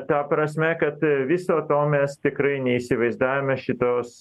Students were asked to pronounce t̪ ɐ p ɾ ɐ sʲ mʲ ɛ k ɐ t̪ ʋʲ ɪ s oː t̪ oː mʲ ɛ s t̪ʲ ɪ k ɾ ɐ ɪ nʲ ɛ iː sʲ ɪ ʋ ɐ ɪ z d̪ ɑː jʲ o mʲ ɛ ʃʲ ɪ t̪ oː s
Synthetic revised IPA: t̪ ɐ p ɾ ɐ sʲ mʲ ɛ k ɐ t̪ ʋʲ ɪ s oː t̪ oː mʲ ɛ s t̪ʲ ɪ k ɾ ɐ ɪ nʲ ɛ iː sʲ ɪ ʋ ɐ ɪ z d̪ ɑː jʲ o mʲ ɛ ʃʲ ɪ t̪ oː s